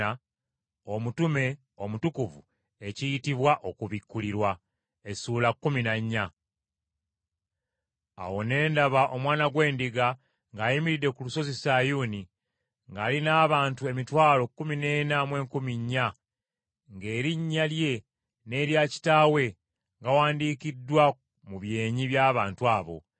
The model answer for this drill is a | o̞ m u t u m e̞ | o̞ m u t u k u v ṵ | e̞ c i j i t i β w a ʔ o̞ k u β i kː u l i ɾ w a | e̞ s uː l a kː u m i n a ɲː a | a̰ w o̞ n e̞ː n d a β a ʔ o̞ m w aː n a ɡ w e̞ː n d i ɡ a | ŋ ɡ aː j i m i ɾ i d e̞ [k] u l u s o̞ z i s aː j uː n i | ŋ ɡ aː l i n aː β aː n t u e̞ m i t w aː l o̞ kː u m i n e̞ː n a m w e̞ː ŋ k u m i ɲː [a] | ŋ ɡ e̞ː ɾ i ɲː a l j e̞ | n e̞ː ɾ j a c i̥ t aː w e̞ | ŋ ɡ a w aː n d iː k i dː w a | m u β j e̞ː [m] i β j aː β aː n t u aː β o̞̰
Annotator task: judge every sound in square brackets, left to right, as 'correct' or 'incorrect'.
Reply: correct, correct, incorrect: ɲ

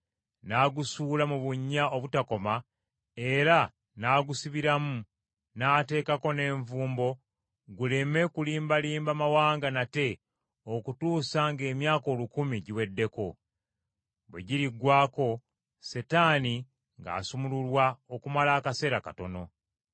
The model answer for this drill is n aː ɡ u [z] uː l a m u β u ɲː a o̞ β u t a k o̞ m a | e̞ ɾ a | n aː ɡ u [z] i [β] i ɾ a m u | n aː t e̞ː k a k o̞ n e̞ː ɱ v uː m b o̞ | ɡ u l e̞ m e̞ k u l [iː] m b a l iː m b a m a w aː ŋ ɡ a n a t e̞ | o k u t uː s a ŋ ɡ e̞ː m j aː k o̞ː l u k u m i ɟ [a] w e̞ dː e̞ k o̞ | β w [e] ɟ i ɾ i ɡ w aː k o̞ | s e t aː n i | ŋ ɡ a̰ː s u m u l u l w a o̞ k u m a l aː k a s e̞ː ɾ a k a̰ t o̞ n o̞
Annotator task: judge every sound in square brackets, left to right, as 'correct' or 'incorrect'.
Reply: incorrect: s, incorrect: s, correct, correct, incorrect: i, correct

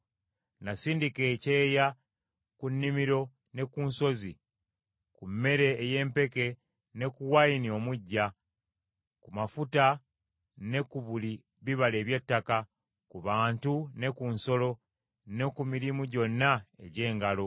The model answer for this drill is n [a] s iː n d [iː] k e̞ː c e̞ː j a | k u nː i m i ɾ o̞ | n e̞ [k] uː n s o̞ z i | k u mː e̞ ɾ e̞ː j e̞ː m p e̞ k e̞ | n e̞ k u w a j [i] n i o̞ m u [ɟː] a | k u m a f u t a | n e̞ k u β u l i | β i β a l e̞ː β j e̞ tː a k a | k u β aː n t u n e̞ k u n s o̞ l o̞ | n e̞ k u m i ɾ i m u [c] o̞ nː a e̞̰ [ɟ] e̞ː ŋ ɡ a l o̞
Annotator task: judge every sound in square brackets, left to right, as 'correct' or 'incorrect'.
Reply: correct, incorrect: i, correct, correct, correct, incorrect: ɟ, correct

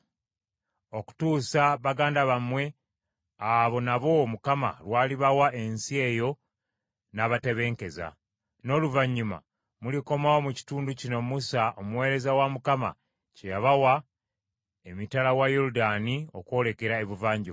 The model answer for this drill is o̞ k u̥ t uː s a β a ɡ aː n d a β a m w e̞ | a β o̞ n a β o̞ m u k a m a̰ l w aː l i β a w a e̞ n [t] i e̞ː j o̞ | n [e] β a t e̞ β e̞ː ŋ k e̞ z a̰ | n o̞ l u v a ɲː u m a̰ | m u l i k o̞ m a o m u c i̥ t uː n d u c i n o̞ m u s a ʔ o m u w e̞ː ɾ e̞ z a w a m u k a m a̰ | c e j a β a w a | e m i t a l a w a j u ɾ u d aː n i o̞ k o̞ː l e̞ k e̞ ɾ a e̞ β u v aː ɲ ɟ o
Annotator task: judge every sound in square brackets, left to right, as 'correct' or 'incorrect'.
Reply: incorrect: s, incorrect: a

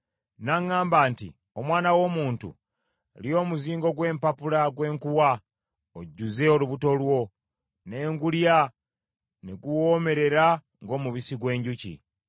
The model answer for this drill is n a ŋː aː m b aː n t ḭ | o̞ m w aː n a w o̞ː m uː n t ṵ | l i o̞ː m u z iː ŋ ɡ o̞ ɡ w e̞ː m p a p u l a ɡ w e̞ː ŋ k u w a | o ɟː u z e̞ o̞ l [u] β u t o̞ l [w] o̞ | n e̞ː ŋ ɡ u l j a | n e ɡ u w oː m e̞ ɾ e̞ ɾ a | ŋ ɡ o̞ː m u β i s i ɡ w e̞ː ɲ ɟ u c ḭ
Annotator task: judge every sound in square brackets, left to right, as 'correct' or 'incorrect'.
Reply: correct, correct

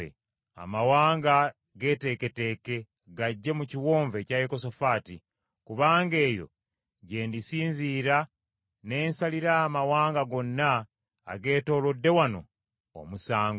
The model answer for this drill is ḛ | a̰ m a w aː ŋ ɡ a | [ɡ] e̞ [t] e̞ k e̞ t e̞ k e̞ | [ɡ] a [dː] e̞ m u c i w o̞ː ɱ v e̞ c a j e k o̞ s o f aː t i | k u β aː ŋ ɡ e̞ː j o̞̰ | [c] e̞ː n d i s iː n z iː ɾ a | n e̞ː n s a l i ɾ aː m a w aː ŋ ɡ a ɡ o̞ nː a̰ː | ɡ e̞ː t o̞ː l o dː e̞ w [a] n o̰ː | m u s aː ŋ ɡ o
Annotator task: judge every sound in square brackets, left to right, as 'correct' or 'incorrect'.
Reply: correct, correct, correct, incorrect: ɟː, incorrect: ɟ, correct

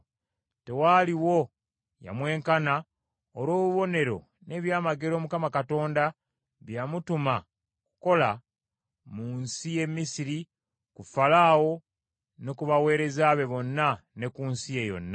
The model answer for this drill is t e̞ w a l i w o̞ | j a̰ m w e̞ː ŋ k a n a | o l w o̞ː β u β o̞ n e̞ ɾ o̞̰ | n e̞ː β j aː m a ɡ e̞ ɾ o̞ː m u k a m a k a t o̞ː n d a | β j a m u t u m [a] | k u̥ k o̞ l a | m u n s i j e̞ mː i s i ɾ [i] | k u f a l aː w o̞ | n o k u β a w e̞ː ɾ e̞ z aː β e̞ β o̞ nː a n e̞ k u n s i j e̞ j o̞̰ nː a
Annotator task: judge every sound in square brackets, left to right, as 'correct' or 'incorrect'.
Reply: correct, correct

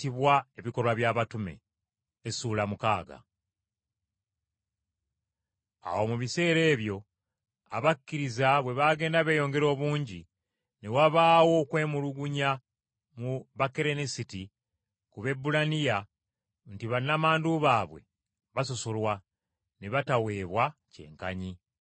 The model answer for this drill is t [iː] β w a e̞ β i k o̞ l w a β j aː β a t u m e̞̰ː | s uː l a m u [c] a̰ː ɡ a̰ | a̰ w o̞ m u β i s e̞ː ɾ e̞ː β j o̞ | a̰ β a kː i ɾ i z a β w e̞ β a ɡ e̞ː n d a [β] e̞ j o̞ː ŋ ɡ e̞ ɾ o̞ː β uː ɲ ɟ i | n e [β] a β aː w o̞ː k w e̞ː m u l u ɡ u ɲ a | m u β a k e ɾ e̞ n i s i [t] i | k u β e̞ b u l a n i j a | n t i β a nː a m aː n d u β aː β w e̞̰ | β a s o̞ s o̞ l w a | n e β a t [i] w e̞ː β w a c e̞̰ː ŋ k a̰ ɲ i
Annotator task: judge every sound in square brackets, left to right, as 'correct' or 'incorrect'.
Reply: incorrect: i, incorrect: k, correct, incorrect: w, correct, incorrect: a

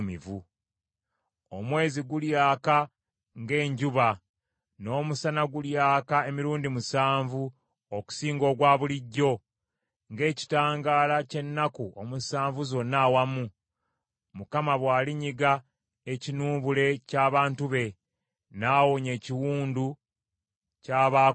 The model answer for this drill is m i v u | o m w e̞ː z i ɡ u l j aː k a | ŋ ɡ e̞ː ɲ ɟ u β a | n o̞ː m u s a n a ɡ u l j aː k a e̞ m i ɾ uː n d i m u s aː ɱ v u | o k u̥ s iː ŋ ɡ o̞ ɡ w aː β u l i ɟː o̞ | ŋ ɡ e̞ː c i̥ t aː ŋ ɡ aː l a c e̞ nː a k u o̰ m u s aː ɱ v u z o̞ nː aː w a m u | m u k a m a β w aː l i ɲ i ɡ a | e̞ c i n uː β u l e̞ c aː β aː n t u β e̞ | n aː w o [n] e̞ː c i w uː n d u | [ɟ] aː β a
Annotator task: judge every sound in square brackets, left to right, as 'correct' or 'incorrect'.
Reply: incorrect: ɲ, incorrect: c

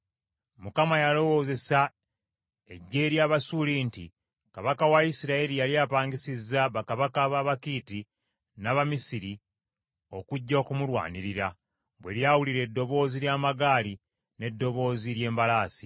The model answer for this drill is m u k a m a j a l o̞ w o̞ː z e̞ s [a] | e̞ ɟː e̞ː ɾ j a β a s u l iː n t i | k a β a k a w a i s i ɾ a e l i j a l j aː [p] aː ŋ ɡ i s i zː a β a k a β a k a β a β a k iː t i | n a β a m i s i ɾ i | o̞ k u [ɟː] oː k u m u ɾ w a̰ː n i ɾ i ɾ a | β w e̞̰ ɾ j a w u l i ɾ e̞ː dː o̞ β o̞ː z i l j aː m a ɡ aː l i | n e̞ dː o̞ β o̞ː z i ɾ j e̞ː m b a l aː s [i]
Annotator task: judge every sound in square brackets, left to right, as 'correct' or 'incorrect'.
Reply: correct, correct, correct, correct

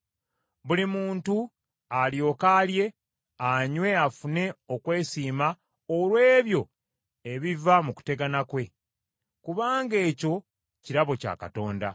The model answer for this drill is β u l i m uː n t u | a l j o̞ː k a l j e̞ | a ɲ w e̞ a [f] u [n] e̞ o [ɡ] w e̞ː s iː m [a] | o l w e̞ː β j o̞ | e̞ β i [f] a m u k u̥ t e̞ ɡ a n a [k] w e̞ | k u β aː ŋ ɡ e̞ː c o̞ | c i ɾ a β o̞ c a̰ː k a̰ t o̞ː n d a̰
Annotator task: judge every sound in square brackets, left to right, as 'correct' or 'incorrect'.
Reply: correct, correct, incorrect: k, correct, incorrect: v, correct

